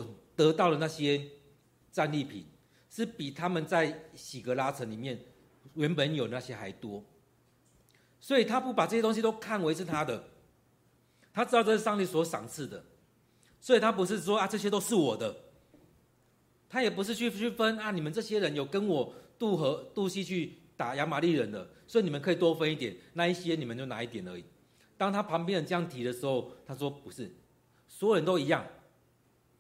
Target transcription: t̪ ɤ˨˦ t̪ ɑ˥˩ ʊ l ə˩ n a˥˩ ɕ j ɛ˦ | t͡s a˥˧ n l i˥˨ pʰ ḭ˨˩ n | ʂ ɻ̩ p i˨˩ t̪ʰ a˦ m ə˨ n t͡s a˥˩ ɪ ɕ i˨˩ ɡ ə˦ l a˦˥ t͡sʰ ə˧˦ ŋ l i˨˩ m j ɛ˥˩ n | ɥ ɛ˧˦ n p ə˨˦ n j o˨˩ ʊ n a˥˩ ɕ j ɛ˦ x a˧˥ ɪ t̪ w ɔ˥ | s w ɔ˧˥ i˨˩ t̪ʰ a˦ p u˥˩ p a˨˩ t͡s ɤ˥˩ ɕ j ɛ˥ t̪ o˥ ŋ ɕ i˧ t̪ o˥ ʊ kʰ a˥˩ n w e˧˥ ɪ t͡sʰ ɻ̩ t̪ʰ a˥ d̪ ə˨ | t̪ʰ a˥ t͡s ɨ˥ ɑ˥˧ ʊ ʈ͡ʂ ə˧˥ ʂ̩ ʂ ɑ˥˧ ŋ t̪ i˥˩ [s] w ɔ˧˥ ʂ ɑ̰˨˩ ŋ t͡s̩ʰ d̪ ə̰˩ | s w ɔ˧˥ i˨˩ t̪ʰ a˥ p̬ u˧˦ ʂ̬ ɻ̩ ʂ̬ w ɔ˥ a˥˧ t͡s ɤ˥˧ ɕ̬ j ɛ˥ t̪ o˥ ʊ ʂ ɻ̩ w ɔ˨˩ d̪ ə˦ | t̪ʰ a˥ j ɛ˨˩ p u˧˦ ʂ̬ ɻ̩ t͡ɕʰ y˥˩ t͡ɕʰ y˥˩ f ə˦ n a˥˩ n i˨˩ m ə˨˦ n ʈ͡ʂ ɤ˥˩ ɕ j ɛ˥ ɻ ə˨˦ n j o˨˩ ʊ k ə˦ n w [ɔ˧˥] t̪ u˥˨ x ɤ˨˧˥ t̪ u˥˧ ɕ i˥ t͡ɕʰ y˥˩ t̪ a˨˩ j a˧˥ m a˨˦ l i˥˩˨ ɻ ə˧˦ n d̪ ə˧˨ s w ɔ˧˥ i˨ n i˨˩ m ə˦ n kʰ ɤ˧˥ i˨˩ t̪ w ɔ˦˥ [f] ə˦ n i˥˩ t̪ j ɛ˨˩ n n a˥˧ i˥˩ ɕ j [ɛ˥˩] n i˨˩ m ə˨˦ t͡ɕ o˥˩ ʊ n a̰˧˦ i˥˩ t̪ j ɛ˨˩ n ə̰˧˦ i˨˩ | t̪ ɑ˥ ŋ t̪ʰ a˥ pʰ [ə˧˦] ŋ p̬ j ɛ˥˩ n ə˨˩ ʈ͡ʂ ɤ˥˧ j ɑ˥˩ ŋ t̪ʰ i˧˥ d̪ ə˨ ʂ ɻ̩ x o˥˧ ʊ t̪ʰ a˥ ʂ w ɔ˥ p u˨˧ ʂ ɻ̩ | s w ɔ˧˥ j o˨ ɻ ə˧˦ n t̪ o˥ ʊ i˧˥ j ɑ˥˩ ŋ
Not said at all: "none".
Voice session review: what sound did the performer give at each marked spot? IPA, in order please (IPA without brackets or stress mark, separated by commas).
s, ɔ˨˩, f, ɛ˦, ɑ˧˦